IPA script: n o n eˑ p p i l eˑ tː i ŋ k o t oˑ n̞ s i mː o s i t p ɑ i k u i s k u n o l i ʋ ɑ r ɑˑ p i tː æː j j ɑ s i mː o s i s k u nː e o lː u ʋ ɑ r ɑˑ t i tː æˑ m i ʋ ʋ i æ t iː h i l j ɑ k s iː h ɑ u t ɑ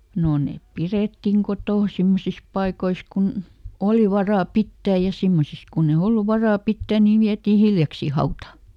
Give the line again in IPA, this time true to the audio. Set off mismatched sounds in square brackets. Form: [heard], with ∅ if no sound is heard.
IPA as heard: n o n eˑ p p i [r] eˑ tː i ŋ k o t oˑ n̞ s i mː o s i [s] p ɑ i k [o] i s k u n o l i ʋ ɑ r ɑˑ p i tː æː j j ɑ s i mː o s i s k u nː e o lː u ʋ ɑ r ɑˑ [p] i tː æˑ [n] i ʋ ʋ i æ t iː h i l j ɑ k s iː h ɑ u t ɑ

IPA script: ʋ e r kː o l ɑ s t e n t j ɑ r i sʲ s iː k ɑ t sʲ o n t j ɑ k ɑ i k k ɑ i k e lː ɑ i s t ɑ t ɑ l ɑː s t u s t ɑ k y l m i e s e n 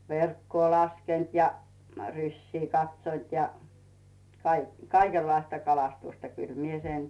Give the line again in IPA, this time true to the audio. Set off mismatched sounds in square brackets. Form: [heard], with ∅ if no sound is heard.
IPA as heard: ʋ e r kː [oː] l ɑ s [k] e n t j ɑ r [y] sʲ s iː k ɑ t sʲ o n t j ɑ k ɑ i k k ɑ i k e lː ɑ i s t ɑ [k] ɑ l [ɑ] s t u s t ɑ k y l m i e s e n

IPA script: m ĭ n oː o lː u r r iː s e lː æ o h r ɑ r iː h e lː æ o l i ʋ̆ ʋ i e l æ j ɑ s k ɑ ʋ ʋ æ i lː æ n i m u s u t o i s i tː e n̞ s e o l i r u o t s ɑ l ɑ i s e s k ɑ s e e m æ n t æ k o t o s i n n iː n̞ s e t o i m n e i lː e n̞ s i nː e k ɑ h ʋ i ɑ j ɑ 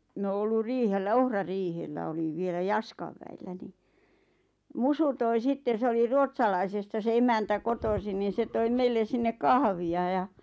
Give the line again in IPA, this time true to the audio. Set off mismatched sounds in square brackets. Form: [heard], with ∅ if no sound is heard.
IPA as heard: m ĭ n oː o lː u r r iː [h] e lː æ o h r ɑ r iː h e lː æ o l i ʋ̆ ʋ i e l æ j ɑ s k ɑ ʋ ʋ æ i lː æ n i m u s u t o i s i tː e n̞ s e o l i r u o t s ɑ l ɑ i s e s [t] ɑ s e e m æ n t æ k o t o s i n n iː n̞ s e t o i m [m] e i lː e n̞ s i nː e k ɑ h ʋ i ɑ j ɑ

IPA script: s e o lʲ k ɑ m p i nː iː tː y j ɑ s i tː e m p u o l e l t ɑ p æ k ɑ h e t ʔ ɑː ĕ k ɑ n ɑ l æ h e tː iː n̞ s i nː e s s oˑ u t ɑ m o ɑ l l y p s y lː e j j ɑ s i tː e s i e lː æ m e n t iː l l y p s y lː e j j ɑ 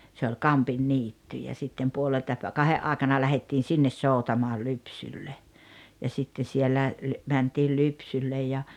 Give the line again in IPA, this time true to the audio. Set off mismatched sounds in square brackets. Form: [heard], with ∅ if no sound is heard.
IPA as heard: s e o lʲ k ɑ m p i nː iː tː y j ɑ s i tː e m p u o l e l t ɑ p æ k ɑ h e [ʔ] ʔ ɑː ĕ k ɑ n ɑ l æ h e tː iː n̞ s i nː e s s oˑ u t ɑ m o ɑ l l y p s y lː e j j ɑ s i tː e s i e lː æ m [æ] n t iː l l y p s y lː e j j ɑ

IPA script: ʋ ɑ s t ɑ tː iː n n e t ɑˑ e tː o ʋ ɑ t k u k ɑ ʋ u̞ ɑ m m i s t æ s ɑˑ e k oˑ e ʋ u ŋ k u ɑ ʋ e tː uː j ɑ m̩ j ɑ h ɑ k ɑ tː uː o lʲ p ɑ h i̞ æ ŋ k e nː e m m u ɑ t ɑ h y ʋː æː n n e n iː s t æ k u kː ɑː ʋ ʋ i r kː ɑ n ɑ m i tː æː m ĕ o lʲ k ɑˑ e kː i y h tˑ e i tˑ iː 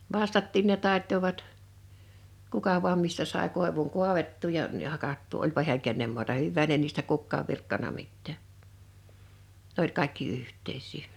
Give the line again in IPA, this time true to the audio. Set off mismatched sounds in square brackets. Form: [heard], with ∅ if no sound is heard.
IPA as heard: ʋ ɑ s t ɑ tː iː n n e t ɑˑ e tː o ʋ ɑ t k u k ɑ ʋ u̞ ɑ m m i s t æ s ɑˑ e k oˑ e ʋ u ŋ k u ɑ ʋ e tː uː j ɑ m̩ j ɑ h ɑ k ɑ tː uː o lʲ p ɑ h i̞ æ ŋ k e nː e m m u ɑ t ɑ h y ʋː æː n n e n iː s t æ k u kː ɑː ʋ ʋ i r kː ɑ n ɑ m i tː æː [n] ĕ o lʲ k ɑˑ e kː i y h tˑ e i [sˑ] iː

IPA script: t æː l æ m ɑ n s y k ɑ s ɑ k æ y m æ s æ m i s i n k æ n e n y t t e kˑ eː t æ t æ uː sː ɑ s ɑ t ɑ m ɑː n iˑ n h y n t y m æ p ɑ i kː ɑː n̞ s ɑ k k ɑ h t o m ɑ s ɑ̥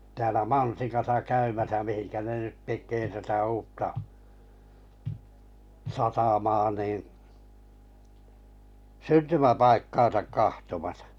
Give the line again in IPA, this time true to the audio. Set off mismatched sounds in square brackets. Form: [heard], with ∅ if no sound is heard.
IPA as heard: t æː l æ m ɑ n s [i] k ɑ s ɑ k æ y m æ s æ m i [h] i n k æ n e n y t t e kˑ eː t æ t æ uː [tː] ɑ s ɑ t ɑ m ɑː n iˑ n [s] y n t y m æ p ɑ i kː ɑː n̞ s ɑ k k ɑ h t o m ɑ s ɑ̥

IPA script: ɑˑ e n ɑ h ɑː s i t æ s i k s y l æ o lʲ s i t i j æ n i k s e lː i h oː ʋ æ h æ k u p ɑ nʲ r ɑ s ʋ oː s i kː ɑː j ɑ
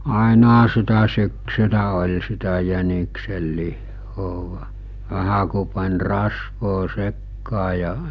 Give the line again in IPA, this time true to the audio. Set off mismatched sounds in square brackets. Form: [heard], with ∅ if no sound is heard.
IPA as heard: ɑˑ e n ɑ h [ɑ] s i t æ s [y] k s y l æ o lʲ s i t [æ] j æ n i k s e lː i [hː] oː ʋ æ h æ k u p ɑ nʲ r ɑ s ʋ oː s [e] kː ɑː j ɑ

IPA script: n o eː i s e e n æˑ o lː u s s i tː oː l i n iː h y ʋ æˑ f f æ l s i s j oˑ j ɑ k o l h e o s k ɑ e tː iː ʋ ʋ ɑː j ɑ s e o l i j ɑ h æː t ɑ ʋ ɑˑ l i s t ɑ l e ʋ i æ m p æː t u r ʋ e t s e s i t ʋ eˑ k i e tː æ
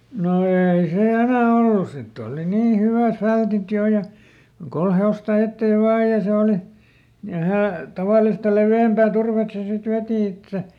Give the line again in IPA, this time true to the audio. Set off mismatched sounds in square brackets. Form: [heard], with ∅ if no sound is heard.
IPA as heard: n o eː i s e e n æˑ o lː u s s i tː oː l i n iː h y ʋ æˑ f f æ l [t] i [t] j oˑ j ɑ k o l h e o s [t] ɑ e tː [eː] ʋ ʋ ɑː j ɑ s e o l i j ɑ h æː t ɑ ʋ ɑˑ l i s t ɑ l e ʋ i æ m p æː t u r ʋ e t s e s i t ʋ eˑ [t] i e tː æ

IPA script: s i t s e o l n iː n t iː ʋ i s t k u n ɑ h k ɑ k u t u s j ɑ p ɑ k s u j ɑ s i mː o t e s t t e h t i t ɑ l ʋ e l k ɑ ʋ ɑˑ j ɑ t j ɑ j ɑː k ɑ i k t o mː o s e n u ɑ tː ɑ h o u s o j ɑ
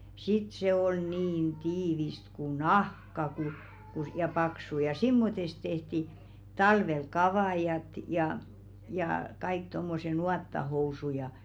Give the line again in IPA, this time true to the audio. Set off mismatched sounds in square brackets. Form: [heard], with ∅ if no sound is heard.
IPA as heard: s i t s e o l n iː n t iː ʋ i s t k u n ɑ h k ɑ k u [k] u s j ɑ p ɑ k s u j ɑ s i mː o t e s t t e h t i t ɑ l ʋ e l k ɑ ʋ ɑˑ j ɑ t j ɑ j ɑː k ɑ i k t o mː o s e n u ɑ tː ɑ h o u s [u] j ɑ

